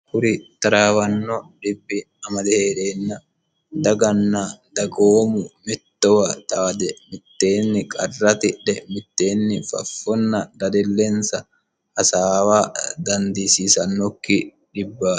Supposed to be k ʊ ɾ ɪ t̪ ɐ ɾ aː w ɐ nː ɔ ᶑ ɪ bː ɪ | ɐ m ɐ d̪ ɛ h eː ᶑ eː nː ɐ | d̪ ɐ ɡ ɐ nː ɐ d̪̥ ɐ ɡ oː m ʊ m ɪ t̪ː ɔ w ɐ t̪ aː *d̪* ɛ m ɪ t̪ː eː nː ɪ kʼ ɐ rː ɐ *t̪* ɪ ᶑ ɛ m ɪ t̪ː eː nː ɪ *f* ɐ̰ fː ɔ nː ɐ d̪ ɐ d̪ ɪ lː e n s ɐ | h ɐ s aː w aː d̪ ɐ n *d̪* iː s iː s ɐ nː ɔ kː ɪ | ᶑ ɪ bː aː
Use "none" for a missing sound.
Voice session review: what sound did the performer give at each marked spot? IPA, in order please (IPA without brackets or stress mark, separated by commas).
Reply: d̪, t̪, f, d̪